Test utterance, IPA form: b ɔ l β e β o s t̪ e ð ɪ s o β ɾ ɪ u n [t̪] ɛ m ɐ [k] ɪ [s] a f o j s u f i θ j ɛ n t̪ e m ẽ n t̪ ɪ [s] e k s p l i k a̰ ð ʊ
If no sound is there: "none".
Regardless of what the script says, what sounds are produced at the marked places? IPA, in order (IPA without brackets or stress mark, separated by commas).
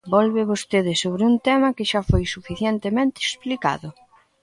t̪, k, ʃ, none